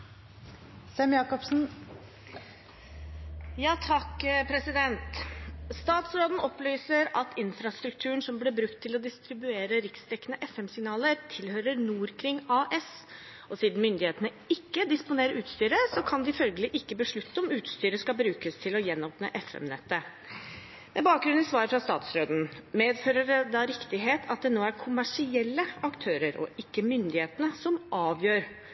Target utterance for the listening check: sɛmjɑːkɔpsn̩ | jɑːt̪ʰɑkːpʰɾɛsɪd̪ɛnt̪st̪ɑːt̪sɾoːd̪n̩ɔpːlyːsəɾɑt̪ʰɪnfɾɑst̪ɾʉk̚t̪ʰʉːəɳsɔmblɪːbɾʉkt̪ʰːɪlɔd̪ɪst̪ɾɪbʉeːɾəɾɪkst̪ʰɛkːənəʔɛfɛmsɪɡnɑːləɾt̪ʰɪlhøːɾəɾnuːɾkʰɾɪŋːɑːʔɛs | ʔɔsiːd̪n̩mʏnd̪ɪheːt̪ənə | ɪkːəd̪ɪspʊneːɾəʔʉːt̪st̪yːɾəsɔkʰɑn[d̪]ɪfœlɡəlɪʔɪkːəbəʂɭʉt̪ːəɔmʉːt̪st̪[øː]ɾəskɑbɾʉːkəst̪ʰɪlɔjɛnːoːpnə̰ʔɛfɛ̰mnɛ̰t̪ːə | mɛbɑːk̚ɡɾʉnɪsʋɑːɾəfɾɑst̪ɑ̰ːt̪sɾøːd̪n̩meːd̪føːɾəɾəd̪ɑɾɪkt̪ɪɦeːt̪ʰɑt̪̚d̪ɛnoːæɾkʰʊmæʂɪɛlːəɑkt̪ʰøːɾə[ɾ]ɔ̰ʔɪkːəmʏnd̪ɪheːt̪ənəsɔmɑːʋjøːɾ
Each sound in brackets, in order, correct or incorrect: correct, incorrect, correct

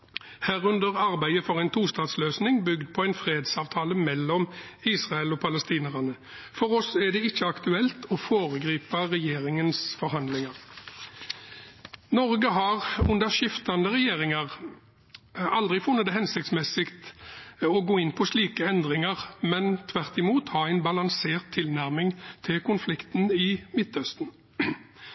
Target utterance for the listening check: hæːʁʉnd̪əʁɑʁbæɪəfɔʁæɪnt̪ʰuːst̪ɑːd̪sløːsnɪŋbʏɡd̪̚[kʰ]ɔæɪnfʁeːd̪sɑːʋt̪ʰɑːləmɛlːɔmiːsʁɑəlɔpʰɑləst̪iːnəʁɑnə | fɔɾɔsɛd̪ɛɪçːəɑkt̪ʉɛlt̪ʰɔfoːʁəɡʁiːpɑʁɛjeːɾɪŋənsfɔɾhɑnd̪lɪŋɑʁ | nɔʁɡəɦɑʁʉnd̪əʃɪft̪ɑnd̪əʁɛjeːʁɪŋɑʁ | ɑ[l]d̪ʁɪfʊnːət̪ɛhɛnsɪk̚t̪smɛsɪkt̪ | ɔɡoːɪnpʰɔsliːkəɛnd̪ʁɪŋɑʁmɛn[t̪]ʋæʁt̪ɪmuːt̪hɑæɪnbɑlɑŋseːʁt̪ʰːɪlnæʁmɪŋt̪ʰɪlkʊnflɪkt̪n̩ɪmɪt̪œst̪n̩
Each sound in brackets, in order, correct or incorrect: incorrect, correct, incorrect

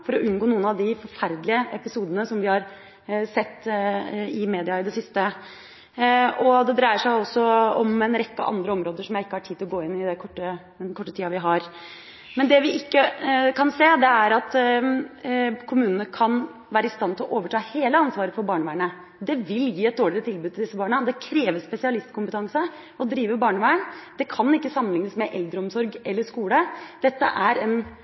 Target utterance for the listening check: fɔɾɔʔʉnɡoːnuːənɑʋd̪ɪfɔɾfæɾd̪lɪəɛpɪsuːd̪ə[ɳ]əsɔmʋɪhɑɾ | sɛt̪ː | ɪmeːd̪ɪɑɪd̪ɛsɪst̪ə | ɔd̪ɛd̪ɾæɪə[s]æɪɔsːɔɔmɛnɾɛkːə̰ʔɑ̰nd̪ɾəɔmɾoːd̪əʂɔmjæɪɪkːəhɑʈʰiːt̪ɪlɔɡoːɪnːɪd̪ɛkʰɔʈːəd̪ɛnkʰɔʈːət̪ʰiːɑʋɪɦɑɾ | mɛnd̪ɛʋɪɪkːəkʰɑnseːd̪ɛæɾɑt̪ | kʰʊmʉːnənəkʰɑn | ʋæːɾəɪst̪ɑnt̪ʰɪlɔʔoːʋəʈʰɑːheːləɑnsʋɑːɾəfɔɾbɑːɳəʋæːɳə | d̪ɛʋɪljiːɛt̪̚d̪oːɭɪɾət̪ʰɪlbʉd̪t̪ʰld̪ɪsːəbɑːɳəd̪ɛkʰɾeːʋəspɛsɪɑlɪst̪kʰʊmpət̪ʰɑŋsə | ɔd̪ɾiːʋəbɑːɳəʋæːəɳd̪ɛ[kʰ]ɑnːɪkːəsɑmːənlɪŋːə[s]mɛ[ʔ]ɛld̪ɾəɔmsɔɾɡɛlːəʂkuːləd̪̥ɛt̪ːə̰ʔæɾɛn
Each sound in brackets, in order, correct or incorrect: incorrect, incorrect, correct, correct, correct

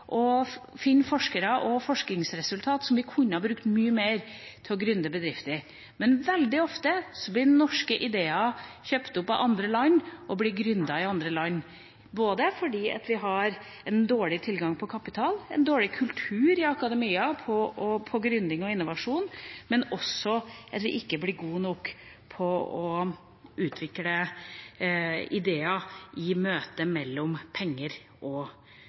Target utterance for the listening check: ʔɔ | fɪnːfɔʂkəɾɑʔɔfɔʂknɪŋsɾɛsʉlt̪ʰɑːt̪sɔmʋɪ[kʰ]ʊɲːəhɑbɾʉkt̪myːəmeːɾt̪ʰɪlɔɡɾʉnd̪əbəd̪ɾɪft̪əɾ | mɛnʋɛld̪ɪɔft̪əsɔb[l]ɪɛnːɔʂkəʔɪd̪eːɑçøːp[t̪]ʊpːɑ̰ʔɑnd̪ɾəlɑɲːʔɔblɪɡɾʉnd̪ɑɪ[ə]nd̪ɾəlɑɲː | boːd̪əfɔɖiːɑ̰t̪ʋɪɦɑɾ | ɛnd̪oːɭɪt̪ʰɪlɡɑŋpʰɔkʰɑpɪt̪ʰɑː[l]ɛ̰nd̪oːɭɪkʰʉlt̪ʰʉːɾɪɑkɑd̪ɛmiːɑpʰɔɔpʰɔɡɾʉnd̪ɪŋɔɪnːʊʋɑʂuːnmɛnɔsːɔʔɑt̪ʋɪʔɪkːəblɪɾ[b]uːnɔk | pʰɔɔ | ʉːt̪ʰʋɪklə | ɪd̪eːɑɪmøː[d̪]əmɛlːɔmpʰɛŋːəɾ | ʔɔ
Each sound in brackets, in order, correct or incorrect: correct, correct, correct, incorrect, correct, incorrect, incorrect

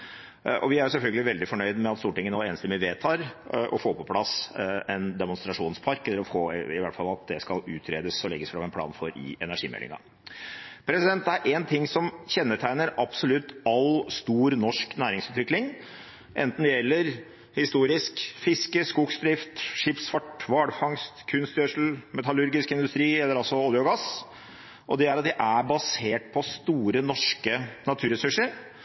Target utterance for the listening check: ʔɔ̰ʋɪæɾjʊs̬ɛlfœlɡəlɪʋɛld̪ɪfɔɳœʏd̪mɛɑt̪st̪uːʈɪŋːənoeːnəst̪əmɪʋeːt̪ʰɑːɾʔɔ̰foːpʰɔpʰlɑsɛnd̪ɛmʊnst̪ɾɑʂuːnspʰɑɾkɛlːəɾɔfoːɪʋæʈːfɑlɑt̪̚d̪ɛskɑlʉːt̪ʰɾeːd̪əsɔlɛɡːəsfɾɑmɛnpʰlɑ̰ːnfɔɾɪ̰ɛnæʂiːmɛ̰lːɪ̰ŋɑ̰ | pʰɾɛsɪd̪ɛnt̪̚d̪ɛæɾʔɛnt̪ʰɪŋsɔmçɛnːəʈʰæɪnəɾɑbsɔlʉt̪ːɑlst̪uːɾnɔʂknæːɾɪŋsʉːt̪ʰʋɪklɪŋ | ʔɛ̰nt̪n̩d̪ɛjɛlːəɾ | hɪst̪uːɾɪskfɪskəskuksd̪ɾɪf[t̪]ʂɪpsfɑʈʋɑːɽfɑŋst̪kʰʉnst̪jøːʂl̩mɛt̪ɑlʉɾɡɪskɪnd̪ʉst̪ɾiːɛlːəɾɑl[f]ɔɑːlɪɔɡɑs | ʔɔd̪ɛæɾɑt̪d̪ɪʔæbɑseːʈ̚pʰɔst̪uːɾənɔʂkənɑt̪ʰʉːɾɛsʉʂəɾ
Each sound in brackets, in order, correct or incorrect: correct, incorrect

